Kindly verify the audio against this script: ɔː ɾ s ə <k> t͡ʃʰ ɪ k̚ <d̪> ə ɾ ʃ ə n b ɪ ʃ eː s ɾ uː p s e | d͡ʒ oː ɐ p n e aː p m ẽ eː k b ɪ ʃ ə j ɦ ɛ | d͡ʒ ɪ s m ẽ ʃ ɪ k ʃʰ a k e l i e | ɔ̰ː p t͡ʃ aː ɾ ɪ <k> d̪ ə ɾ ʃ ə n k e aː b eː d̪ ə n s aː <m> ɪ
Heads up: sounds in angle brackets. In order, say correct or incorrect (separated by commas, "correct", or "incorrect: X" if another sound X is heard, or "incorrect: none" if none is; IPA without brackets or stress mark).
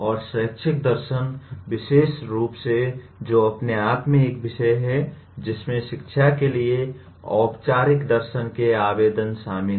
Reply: correct, correct, correct, correct